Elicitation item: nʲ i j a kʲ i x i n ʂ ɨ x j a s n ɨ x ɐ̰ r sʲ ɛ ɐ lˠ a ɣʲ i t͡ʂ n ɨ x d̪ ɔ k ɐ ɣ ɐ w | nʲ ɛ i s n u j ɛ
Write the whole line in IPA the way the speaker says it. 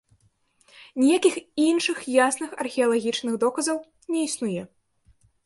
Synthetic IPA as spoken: nʲ i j a kʲ i x i n ʂ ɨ x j a s n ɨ x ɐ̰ r xʲ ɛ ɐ lˠ a ɣʲ i t͡ʂ n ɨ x d̪ ɔ k ɐ z ɐ w | nʲ ɛ i s n u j ɛ